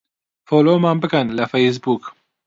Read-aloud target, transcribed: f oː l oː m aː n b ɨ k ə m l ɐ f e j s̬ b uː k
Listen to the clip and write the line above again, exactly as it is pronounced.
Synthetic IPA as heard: f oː l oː m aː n b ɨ k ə n l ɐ f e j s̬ b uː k